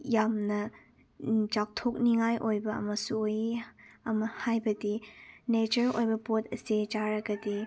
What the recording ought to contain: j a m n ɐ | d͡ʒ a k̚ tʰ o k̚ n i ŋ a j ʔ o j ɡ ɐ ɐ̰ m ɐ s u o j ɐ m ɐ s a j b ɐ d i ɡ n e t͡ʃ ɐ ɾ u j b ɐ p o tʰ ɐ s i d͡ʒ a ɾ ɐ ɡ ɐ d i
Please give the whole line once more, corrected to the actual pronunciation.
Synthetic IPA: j a m n ɐ | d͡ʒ a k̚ tʰ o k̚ n i ŋ a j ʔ o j b ɐ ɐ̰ m ɐ s u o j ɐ m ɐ h a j b ɐ d i n e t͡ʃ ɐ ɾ o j b ɐ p o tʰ ɐ s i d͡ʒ a ɾ ɐ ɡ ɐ d i